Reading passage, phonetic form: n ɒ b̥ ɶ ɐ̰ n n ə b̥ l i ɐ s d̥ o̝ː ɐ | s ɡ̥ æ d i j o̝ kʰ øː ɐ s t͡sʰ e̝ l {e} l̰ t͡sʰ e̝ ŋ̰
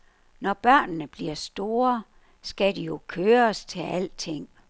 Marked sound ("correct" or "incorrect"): incorrect